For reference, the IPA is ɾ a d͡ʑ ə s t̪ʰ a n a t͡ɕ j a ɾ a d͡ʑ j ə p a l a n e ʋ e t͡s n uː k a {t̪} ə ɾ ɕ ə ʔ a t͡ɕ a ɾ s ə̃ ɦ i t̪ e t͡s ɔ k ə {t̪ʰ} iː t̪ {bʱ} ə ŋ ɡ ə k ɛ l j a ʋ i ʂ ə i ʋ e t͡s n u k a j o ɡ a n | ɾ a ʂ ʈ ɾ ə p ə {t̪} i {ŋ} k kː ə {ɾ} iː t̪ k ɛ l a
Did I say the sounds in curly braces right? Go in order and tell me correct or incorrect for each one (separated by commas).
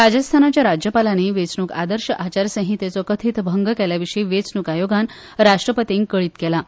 incorrect, correct, correct, correct, correct, incorrect